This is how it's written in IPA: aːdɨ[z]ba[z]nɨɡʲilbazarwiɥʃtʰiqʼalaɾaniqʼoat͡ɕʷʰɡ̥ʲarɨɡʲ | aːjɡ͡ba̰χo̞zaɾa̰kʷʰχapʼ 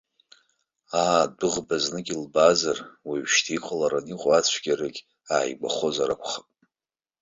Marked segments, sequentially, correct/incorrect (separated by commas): incorrect, correct